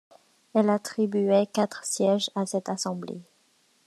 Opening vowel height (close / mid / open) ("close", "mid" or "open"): mid